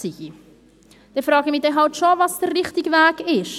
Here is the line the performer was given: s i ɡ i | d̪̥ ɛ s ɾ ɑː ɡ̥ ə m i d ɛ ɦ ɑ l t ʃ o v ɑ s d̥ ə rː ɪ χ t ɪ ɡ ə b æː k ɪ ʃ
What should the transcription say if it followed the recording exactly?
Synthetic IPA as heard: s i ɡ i | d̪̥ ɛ f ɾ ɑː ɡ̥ ə m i d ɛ ɦ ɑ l t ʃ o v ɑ s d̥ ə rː ɪ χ t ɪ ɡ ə v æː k ɪ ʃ